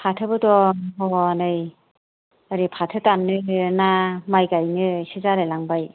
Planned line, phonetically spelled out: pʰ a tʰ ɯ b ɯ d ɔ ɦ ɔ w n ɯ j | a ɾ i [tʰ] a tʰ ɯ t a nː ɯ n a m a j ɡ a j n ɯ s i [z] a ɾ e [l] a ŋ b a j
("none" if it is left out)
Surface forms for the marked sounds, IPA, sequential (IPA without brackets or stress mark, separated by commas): pʰ, z, l